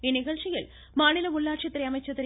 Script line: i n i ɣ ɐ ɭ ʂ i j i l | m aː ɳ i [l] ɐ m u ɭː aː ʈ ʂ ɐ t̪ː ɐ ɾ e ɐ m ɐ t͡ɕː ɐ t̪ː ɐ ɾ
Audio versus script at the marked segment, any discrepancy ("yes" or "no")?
no